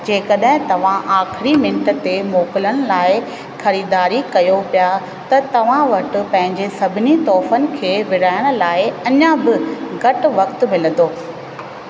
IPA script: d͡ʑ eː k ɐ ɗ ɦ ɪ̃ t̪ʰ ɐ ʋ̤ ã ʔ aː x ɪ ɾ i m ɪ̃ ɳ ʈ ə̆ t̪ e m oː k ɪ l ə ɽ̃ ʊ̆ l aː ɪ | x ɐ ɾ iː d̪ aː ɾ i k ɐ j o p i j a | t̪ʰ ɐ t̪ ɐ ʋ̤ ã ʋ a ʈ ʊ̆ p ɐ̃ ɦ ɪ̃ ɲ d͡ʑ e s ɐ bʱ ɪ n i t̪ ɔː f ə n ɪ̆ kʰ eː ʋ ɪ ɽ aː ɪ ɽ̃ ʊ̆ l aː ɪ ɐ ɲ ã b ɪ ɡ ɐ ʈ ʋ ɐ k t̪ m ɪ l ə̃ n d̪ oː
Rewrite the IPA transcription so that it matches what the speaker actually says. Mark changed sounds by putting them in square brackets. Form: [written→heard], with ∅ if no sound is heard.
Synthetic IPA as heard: d͡ʑ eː k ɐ ɗ ɦ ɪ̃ [t̪ʰ→t̪] ɐ ʋ̤ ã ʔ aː x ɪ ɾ i m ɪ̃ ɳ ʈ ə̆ t̪ e m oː k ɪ l ə ɽ̃ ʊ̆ l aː ɪ | x ɐ ɾ iː d̪ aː ɾ i k ɐ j o p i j a | [t̪ʰ→t̪] ɐ t̪ ɐ ʋ̤ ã ʋ [a→ɐ] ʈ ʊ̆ p ɐ̃ ɦ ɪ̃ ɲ d͡ʑ e s ɐ bʱ ɪ n i t̪ ɔː f ə n ɪ̆ kʰ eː ʋ ɪ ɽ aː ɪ ɽ̃ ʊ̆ l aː ɪ ɐ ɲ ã b ɪ ɡ ɐ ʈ ʋ ɐ k t̪ m ɪ l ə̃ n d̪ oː